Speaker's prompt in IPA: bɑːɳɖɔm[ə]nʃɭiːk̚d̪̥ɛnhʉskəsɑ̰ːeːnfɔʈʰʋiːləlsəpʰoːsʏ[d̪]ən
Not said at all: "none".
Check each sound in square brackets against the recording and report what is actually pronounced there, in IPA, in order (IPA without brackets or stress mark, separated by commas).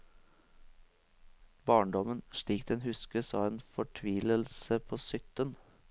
ə, t̪